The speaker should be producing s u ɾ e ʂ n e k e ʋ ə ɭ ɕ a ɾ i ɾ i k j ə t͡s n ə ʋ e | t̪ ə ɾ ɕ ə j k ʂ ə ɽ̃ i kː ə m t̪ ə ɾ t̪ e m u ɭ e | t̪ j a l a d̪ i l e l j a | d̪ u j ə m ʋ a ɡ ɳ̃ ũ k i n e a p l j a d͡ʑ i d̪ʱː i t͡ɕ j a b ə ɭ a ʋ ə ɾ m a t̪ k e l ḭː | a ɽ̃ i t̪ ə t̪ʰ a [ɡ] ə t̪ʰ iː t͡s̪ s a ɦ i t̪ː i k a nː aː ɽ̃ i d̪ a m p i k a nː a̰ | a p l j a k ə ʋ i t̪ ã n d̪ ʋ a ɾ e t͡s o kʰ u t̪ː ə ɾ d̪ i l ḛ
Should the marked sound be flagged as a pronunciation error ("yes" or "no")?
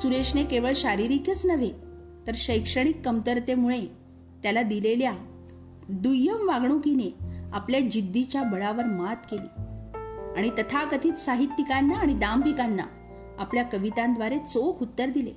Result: yes